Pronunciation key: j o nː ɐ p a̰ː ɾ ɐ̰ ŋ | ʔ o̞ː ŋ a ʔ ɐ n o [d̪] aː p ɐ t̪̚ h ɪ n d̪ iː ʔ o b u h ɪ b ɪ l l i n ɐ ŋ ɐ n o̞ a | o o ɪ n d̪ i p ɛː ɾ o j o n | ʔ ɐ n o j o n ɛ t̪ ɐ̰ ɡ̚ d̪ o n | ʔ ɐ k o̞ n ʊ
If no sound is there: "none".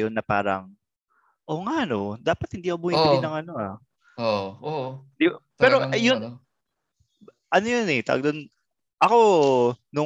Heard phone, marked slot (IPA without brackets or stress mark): d̪